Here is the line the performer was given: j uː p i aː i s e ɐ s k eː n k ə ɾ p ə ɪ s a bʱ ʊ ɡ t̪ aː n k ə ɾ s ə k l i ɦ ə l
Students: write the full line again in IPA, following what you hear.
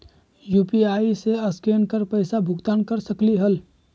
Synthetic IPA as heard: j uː p i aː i s e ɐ s k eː n k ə ɾ p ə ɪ s a bʱ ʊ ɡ t̪ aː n k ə ɾ s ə k l i ɦ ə l